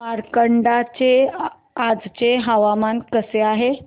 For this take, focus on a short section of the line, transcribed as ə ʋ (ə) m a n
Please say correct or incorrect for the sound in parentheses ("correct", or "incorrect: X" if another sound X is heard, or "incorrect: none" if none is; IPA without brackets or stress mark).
incorrect: a